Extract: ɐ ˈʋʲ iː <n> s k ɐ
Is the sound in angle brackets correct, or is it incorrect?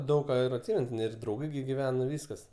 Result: incorrect